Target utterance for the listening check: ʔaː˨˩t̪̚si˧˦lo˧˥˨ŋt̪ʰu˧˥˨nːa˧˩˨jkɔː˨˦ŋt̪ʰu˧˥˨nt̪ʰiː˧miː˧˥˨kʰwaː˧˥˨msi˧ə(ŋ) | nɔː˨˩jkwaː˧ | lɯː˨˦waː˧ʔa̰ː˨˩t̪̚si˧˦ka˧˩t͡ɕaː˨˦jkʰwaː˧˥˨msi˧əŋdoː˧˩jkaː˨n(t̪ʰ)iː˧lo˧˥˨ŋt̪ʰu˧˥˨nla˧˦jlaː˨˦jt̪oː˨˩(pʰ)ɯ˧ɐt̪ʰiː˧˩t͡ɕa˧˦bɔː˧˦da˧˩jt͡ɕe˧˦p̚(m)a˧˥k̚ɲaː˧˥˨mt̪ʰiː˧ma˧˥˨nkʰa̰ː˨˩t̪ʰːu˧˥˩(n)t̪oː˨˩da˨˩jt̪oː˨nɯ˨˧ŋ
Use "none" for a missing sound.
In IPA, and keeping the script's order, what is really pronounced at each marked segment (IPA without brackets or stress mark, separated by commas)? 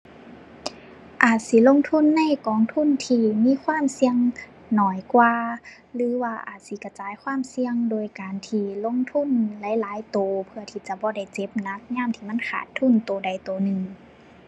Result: ŋ, t̪ʰ, pʰ, n, n